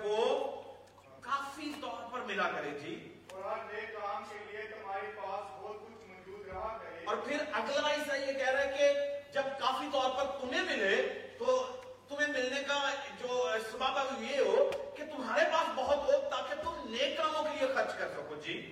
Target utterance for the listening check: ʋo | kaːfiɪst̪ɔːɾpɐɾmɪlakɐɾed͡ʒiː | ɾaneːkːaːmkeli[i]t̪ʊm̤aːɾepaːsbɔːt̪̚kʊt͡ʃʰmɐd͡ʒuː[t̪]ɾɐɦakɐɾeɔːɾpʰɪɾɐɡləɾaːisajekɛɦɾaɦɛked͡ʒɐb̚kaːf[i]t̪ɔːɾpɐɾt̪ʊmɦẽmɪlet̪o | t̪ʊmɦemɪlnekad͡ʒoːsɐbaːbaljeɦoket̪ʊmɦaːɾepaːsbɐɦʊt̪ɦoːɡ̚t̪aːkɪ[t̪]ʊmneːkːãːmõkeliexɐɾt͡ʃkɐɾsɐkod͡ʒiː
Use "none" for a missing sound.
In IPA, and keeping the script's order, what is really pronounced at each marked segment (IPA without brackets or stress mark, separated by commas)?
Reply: e, d̪, i, t̪